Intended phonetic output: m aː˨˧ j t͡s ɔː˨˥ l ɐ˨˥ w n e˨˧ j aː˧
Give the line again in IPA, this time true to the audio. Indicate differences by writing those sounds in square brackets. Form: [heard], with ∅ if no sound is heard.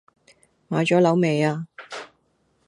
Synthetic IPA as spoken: m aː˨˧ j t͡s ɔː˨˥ l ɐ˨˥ w [m] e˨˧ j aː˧